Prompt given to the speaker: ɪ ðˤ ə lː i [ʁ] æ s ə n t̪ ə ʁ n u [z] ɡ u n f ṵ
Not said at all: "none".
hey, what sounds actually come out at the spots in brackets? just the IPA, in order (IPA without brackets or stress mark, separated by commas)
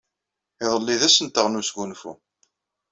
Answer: ð, s